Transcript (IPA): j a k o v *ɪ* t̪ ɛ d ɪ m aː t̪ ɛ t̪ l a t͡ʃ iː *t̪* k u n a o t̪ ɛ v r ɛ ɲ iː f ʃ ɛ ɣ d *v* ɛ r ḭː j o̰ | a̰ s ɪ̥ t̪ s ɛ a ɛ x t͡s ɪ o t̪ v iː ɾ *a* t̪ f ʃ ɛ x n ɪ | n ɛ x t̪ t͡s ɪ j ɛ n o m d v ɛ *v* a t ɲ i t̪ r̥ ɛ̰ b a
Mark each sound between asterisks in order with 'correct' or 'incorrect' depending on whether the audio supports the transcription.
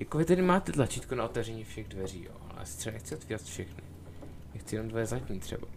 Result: correct, correct, correct, correct, incorrect: z

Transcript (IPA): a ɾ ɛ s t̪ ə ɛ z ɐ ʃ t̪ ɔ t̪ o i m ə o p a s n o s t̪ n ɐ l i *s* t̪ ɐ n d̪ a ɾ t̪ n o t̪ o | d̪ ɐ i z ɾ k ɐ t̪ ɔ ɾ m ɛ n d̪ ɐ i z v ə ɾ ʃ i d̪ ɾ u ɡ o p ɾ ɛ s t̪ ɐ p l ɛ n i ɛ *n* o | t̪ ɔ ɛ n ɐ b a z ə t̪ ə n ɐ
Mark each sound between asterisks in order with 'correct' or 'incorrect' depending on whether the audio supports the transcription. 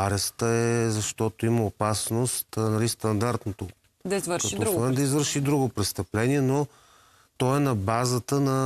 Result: correct, correct

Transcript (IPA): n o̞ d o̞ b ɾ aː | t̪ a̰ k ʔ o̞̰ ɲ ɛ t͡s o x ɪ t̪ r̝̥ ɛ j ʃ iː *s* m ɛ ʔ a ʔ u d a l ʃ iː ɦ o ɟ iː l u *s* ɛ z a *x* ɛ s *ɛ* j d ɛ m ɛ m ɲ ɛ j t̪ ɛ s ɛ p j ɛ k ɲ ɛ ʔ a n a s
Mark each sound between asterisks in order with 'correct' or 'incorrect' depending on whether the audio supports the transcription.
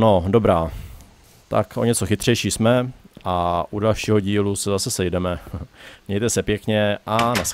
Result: correct, correct, incorrect: s, correct

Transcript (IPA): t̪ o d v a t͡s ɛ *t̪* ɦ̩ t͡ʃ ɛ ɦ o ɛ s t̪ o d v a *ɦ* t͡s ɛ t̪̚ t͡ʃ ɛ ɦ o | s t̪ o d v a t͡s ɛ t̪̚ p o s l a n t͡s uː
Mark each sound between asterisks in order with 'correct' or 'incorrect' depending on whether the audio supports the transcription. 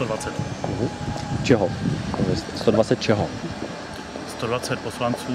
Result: correct, incorrect: none

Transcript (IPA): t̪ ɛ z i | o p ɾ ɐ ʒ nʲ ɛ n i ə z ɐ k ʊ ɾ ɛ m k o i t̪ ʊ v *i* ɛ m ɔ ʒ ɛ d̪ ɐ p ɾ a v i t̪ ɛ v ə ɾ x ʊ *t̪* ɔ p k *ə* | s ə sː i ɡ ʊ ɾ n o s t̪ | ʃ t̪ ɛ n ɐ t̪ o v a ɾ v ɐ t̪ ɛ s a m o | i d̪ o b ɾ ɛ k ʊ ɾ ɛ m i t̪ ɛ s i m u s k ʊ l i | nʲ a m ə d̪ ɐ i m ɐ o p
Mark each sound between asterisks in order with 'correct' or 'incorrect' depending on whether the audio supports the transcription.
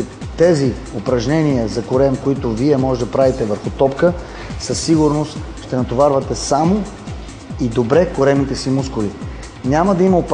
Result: correct, correct, correct

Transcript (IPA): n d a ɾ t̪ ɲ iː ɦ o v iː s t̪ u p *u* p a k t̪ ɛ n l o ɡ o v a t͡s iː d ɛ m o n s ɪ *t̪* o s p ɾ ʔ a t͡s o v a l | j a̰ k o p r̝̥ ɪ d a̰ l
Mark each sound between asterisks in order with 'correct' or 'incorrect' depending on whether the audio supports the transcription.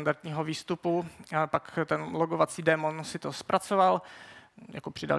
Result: correct, correct

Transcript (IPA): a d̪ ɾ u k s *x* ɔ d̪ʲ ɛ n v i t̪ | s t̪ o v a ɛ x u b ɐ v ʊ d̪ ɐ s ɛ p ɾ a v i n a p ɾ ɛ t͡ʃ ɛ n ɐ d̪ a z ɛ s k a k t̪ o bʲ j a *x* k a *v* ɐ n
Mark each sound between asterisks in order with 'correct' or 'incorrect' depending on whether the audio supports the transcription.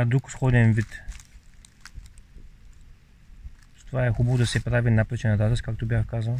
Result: correct, correct, incorrect: z

